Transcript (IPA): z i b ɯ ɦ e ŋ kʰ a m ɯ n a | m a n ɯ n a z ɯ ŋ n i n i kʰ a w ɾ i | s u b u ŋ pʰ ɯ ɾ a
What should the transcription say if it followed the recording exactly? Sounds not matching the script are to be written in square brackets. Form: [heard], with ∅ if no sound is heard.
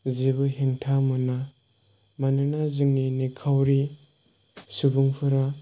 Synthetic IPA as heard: z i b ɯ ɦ e ŋ [tʰ] a m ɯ n a | m a n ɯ n a z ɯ ŋ n i n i kʰ a w ɾ i | s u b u ŋ pʰ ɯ ɾ a